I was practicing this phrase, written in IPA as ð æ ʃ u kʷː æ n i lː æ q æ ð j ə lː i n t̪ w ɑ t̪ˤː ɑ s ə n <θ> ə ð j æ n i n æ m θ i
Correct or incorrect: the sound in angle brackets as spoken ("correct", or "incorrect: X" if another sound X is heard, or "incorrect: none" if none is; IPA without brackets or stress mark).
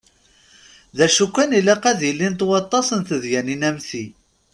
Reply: correct